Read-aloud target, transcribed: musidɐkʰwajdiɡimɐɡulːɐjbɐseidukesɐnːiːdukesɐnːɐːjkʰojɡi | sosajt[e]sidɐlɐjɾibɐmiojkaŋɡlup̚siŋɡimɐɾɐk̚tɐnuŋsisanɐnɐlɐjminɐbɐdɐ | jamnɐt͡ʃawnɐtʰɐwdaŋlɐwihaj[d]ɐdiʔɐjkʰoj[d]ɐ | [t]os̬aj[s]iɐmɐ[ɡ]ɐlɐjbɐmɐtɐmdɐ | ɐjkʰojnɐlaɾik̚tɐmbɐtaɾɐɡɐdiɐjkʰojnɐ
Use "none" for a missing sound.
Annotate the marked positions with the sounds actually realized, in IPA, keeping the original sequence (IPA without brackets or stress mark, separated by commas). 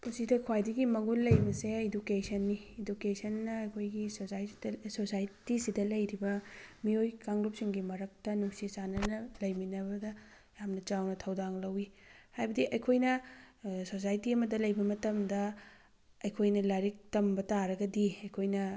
i, b, n, s, t, d